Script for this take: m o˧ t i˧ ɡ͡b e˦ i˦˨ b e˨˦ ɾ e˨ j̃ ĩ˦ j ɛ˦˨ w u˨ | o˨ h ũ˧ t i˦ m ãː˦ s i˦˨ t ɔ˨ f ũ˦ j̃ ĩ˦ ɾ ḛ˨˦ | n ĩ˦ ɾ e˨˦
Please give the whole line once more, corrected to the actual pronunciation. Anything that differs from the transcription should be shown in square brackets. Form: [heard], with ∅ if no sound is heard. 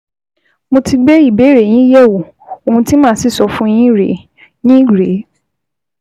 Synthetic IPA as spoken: m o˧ t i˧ ɡ͡b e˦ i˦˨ b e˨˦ ɾ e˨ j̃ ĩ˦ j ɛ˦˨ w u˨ | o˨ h ũ˧ t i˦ m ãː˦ s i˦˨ [s] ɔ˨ f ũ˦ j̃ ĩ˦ ɾ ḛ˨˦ | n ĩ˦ ɾ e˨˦